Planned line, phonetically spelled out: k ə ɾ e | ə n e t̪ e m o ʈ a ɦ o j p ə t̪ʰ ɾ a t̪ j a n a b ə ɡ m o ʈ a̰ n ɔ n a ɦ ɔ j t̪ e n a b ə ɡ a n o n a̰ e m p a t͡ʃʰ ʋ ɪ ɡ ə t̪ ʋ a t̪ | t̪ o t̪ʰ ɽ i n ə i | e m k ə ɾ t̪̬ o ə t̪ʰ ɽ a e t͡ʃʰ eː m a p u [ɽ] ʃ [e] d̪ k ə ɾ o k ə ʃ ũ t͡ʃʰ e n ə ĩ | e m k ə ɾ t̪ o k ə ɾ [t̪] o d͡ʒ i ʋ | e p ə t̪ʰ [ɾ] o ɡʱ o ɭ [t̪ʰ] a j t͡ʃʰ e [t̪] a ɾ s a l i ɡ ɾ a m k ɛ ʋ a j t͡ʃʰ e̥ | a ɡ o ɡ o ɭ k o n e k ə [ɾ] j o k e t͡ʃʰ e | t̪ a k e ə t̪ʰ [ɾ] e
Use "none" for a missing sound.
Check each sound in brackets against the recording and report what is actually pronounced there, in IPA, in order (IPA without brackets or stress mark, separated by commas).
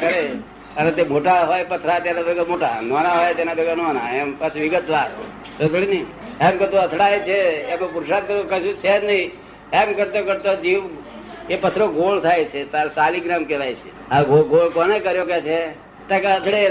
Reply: ɾ, a, t̪, ɾ, t̪ʰ, t̪, ɾ, ɽ